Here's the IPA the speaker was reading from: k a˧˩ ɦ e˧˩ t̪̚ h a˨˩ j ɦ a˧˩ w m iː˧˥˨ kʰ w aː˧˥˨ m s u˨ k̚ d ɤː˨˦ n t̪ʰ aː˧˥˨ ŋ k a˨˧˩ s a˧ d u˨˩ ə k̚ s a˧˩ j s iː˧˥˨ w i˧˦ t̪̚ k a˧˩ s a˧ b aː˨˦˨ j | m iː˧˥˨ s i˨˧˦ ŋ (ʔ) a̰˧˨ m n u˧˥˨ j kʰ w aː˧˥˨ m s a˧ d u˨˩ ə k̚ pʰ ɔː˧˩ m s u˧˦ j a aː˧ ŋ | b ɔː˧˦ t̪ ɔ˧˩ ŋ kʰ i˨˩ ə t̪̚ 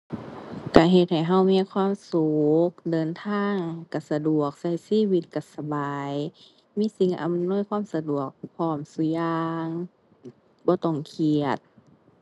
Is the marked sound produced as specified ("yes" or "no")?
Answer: yes